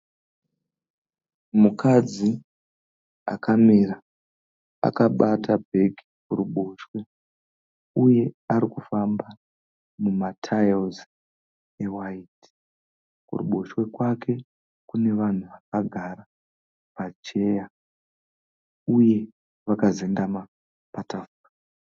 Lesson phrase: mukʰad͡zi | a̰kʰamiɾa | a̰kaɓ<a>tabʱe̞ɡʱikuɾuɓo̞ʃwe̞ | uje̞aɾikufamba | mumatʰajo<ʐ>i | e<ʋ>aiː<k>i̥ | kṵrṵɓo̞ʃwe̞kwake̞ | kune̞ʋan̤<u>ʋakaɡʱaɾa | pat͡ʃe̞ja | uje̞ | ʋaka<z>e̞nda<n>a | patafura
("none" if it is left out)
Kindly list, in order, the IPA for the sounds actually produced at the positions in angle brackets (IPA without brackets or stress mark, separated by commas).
a, z, w, t, u, z, m